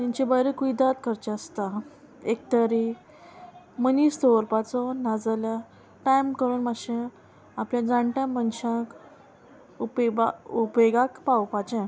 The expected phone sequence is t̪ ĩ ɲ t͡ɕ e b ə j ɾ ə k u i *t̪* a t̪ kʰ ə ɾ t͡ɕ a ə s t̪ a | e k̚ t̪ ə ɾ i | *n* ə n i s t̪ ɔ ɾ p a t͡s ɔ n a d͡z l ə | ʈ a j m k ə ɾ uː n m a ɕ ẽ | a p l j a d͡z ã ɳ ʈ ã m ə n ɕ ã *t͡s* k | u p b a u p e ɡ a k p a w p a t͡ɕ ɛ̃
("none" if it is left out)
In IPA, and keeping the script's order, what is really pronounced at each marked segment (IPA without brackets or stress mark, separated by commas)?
d̪, m, none